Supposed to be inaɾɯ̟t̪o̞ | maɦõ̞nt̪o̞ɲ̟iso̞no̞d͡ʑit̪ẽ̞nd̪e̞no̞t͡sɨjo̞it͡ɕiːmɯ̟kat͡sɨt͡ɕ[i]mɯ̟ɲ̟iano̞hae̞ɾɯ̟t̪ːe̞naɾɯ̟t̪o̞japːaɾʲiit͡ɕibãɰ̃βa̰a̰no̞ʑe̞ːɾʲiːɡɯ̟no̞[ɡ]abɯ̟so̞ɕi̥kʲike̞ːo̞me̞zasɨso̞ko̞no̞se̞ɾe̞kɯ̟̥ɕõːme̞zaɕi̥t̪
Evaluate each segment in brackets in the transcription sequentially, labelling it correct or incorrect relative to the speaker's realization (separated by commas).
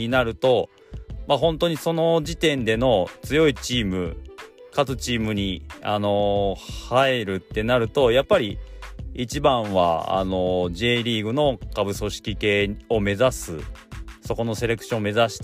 incorrect, incorrect